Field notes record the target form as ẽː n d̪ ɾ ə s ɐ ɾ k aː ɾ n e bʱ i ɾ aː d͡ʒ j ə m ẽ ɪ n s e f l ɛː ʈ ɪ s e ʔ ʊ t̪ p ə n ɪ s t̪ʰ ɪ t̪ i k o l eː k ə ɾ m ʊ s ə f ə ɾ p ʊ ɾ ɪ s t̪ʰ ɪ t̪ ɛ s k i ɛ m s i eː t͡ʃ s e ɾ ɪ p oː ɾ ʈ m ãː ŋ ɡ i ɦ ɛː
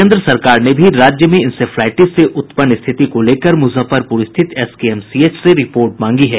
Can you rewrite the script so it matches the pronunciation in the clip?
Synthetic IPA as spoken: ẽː n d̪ ɾ ə s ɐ ɾ k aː ɾ n e bʱ i ɾ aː d͡ʒ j ə m ẽ ɪ n s e f l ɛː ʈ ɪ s e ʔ ʊ t̪ p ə n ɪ s t̪ʰ ɪ t̪ i k o l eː k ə ɾ m ʊ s ə f ə ɾ p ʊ ɾ ɪ s t̪ʰ ɪ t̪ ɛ s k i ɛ m s i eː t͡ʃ s e ɾ ɪ p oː ɾ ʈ m ãː ŋ ɡ i ɦ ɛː